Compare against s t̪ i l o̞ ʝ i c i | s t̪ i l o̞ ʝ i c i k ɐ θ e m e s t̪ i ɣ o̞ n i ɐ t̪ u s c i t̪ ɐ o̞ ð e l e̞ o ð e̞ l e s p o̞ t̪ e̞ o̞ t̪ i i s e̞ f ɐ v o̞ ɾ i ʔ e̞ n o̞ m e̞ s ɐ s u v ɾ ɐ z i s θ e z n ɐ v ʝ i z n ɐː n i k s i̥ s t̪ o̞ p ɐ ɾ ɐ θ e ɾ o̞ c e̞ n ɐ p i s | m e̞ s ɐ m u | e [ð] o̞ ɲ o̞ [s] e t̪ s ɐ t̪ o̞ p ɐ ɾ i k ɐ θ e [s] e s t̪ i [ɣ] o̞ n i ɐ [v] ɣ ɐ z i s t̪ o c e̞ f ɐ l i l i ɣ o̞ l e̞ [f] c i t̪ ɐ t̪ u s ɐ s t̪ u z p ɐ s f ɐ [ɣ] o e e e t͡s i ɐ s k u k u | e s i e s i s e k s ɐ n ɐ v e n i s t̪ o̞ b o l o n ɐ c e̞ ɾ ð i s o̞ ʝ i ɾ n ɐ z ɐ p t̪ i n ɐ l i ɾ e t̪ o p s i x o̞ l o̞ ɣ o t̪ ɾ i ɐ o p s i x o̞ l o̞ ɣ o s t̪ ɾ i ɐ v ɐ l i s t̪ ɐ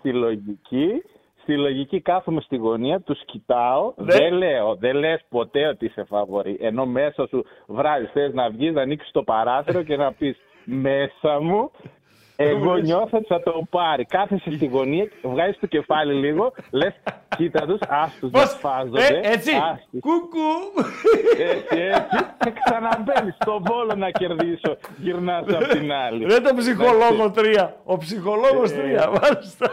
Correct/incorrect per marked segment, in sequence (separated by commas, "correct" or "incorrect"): incorrect, incorrect, correct, correct, correct, incorrect, incorrect